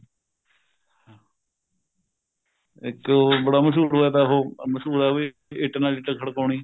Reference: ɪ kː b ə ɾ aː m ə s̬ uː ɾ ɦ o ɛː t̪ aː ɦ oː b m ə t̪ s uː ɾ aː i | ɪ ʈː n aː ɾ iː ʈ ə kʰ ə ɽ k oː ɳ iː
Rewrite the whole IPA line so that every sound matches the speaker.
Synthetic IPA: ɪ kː b ə ɽ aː m ə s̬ uː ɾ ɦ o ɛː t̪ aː ɦ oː m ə s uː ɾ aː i | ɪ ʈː n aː l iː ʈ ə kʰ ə ɽ k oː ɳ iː